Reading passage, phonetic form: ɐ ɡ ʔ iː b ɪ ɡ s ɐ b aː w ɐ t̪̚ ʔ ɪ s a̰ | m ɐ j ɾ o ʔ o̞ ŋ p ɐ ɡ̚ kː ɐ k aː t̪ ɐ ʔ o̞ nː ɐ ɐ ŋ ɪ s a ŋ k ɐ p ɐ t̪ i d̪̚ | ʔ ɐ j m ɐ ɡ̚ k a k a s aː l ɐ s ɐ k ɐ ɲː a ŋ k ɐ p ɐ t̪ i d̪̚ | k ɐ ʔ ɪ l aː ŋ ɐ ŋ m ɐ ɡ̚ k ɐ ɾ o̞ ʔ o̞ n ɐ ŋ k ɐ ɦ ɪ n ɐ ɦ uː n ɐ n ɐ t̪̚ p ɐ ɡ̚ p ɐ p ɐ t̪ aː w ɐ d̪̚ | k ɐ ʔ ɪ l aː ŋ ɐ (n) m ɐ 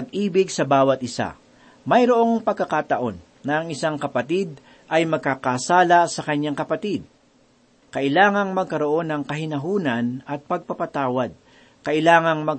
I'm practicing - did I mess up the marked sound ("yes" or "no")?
yes